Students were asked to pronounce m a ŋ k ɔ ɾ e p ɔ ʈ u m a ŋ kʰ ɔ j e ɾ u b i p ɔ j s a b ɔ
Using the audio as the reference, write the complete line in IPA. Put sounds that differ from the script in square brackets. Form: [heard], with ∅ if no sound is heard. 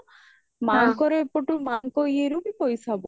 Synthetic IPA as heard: m a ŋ k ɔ ɾ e p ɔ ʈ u m a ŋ [k] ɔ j e ɾ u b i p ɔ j s a b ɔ